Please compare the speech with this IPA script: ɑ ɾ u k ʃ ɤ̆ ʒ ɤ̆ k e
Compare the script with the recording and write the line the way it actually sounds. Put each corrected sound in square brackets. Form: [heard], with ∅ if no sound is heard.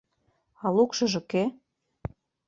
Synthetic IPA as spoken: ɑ [l] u k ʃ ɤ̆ ʒ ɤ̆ k e